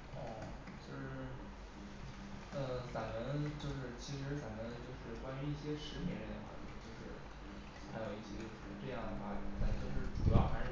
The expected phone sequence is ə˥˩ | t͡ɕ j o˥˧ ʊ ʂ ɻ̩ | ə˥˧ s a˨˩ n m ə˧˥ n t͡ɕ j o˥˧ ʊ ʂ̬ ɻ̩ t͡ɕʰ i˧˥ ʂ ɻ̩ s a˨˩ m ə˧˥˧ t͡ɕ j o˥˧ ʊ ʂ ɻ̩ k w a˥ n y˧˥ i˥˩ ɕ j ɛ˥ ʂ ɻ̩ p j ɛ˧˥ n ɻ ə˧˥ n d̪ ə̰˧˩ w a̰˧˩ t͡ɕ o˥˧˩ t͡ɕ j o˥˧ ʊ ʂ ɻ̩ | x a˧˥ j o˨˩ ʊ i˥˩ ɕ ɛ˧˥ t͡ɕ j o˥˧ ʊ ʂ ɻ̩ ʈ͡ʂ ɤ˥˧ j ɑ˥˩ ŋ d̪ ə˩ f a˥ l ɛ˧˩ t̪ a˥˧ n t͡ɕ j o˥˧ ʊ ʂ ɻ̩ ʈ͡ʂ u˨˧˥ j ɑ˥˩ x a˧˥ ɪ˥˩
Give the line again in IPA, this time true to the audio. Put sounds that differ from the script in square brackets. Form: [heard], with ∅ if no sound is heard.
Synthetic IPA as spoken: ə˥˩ | t͡ɕ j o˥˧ ʊ ʂ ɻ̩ | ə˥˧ s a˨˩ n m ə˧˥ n t͡ɕ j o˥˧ ʊ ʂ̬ ɻ̩ t͡ɕʰ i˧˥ ʂ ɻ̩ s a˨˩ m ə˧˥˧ t͡ɕ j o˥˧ ʊ ʂ ɻ̩ k w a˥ n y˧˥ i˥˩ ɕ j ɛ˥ ʂ ɻ̩ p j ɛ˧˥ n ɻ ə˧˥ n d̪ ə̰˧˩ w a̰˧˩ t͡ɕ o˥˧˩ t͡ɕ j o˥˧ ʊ ʂ ɻ̩ | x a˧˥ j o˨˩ ʊ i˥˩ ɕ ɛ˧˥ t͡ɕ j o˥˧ ʊ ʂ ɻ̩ ʈ͡ʂ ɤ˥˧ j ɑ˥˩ ŋ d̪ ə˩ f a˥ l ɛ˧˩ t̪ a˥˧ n t͡ɕ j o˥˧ ʊ ʂ ɻ̩ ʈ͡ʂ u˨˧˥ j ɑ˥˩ x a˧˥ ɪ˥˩